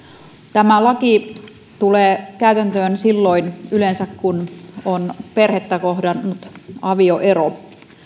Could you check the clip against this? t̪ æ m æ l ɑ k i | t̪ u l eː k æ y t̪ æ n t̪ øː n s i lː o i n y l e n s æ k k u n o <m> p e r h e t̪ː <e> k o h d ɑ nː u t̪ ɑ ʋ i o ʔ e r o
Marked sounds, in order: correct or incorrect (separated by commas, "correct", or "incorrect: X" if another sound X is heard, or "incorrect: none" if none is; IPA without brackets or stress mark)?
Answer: incorrect: n, incorrect: æ